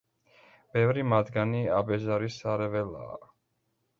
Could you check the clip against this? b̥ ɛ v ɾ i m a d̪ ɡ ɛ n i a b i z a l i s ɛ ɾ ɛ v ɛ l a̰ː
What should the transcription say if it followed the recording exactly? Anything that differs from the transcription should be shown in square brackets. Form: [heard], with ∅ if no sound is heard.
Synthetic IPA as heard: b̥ ɛ v ɾ i m a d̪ ɡ [a] n i a b [ɛ] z a [ɾ] i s [a] ɾ ɛ v ɛ l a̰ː